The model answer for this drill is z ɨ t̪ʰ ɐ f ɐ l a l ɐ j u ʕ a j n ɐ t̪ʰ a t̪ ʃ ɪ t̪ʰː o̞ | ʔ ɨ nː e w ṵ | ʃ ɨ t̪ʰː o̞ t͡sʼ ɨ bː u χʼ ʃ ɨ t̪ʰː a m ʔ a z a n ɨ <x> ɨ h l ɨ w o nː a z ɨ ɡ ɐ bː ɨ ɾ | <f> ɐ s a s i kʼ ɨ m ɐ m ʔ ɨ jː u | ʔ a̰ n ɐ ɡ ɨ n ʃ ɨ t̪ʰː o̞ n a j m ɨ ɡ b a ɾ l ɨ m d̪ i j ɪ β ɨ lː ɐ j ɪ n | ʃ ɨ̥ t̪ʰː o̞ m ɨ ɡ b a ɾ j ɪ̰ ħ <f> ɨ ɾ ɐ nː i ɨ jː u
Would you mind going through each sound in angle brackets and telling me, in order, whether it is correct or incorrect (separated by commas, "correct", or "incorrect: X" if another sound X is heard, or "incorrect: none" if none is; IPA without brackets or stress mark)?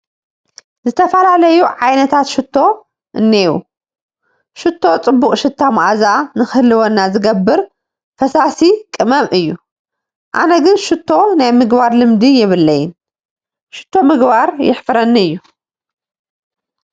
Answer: correct, correct, correct